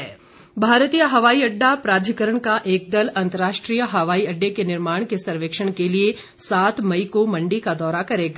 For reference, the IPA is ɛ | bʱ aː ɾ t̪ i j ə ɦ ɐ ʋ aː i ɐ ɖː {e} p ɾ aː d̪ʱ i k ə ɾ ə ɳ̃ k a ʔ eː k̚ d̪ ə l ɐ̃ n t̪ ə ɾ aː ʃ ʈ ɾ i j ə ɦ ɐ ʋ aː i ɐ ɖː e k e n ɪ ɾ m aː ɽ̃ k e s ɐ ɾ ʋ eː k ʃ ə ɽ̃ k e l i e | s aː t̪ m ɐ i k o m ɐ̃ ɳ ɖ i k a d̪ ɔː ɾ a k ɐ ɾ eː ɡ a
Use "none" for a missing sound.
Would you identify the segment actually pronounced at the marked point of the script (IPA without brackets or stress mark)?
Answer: a